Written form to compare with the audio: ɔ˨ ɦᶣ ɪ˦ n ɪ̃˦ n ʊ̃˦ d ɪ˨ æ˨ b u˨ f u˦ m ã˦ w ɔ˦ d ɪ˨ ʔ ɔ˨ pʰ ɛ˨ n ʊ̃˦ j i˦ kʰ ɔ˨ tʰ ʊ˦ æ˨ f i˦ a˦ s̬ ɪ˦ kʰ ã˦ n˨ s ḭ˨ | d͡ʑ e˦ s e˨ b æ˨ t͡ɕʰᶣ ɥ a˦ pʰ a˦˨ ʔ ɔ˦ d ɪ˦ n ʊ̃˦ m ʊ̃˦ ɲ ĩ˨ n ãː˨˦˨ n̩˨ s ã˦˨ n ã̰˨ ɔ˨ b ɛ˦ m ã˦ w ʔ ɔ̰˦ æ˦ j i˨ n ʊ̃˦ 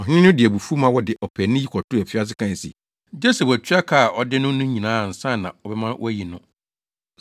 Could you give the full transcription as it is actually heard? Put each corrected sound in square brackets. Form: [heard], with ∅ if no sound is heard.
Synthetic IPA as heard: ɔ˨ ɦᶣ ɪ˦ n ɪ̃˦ n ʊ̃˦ d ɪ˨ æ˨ b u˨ f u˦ m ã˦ w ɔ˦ d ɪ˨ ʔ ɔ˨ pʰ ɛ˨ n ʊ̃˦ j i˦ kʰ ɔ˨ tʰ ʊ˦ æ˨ f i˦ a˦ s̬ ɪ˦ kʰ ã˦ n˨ s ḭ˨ | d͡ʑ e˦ s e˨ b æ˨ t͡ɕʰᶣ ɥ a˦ [kʰ] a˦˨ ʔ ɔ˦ d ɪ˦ n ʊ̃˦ [n] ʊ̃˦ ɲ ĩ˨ n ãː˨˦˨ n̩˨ s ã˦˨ n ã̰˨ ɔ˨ b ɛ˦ m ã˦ w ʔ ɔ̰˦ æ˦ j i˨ n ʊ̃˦